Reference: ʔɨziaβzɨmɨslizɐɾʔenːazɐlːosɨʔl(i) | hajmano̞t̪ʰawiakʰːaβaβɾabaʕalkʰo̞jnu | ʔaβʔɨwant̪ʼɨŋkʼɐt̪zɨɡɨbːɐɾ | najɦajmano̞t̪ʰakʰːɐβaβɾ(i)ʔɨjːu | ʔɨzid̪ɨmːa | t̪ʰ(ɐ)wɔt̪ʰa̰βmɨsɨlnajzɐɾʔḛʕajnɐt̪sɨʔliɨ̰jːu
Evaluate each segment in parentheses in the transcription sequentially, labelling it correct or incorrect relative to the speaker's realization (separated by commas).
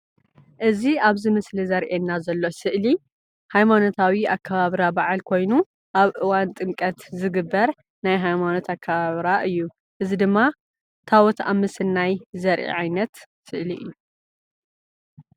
correct, incorrect, incorrect